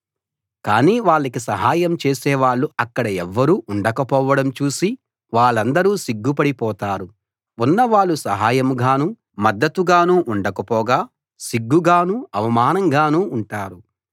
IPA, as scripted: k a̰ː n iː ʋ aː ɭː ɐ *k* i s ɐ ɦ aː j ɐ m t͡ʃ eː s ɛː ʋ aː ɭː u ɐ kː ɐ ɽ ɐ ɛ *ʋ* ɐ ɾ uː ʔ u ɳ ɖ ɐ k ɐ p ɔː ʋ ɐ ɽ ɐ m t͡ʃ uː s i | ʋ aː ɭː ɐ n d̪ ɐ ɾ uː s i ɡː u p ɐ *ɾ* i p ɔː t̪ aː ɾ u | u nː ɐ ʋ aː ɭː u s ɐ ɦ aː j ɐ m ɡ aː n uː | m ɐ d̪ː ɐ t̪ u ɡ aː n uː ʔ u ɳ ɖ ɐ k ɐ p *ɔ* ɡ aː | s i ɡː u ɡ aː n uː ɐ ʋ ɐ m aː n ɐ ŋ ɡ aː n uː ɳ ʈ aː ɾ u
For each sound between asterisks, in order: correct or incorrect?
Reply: correct, incorrect, incorrect, incorrect

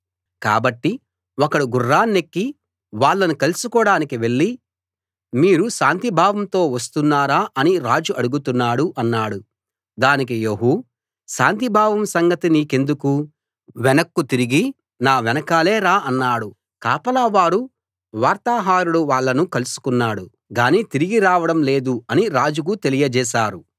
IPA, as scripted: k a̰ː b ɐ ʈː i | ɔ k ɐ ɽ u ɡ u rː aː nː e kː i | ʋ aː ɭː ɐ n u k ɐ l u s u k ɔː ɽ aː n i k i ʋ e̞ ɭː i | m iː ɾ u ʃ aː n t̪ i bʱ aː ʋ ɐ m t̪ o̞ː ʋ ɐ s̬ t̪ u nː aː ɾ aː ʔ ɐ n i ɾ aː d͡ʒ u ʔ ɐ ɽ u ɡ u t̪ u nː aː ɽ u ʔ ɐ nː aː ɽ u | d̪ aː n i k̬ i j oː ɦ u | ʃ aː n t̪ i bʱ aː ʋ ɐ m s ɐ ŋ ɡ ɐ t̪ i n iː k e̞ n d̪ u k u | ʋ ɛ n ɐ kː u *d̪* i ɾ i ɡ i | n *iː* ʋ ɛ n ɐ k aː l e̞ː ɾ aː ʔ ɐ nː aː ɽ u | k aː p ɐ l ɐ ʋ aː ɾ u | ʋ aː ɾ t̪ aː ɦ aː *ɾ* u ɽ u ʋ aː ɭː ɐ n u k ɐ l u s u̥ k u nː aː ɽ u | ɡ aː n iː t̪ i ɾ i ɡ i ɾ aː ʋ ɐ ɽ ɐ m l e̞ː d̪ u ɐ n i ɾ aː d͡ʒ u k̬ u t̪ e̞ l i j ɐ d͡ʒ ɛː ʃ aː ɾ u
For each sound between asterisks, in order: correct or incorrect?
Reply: incorrect, incorrect, correct

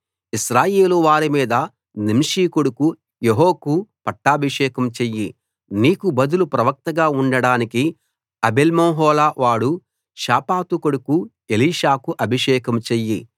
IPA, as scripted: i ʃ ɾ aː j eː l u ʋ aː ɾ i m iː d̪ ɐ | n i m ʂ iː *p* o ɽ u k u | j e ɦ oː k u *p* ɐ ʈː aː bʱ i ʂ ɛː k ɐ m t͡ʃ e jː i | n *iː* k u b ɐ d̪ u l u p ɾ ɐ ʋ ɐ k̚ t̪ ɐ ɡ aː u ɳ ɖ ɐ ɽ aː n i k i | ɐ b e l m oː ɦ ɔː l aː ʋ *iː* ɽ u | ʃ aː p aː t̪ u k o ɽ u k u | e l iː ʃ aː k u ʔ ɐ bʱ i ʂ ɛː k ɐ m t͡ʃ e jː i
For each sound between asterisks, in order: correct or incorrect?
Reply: incorrect, correct, correct, incorrect

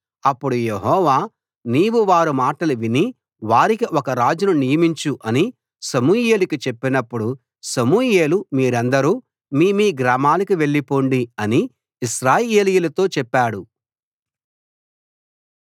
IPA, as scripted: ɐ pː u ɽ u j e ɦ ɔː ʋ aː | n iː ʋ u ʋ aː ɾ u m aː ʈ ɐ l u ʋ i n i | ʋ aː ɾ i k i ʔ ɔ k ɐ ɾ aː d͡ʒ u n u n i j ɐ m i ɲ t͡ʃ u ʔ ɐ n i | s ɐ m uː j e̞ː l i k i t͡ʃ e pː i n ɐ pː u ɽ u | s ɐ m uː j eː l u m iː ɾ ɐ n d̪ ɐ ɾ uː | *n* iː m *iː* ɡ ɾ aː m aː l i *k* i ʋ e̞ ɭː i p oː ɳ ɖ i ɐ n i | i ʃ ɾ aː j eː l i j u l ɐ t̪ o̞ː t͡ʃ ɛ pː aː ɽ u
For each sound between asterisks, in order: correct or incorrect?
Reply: incorrect, correct, correct

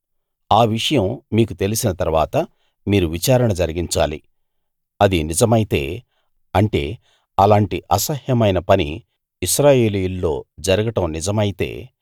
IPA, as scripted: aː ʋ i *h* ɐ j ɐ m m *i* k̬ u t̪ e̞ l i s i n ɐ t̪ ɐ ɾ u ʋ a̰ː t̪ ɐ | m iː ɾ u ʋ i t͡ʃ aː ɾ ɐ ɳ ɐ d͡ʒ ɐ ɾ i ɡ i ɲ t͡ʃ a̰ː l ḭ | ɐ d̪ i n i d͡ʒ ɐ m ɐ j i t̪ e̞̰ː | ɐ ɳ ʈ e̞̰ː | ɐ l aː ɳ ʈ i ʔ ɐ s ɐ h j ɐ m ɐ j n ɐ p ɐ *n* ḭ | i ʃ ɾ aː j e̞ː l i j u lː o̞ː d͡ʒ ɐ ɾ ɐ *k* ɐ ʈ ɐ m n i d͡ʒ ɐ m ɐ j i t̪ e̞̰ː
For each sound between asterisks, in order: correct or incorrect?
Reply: incorrect, incorrect, correct, incorrect

